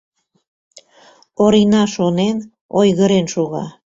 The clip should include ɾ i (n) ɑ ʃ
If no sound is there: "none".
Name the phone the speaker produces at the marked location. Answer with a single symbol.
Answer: n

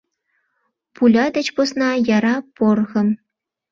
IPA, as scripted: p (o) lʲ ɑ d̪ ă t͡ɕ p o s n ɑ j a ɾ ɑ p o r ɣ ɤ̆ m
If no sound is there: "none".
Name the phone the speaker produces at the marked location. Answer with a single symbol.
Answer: u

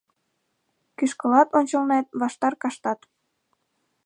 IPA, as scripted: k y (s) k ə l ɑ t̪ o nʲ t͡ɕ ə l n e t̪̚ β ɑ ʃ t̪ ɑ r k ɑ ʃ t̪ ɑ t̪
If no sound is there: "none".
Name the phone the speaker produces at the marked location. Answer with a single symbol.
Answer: ʃ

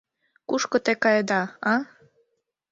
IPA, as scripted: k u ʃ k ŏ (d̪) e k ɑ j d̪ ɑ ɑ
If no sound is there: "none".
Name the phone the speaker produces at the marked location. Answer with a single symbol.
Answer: t̪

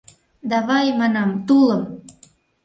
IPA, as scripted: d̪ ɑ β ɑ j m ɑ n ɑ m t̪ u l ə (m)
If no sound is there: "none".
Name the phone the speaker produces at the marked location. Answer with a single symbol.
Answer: m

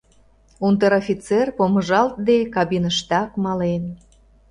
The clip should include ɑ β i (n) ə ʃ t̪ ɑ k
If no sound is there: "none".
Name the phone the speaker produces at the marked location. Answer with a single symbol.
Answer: n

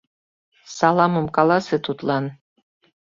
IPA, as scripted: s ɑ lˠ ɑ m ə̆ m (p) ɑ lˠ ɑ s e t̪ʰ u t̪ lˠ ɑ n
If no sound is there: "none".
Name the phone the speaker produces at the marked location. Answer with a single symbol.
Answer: k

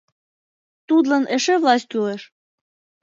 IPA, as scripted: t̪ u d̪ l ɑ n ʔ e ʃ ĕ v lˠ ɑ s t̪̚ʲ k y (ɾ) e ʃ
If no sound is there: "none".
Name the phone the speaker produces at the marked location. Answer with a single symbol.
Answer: l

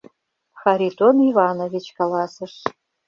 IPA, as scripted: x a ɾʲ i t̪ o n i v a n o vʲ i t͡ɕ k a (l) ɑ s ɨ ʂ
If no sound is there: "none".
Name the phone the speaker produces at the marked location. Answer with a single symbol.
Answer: l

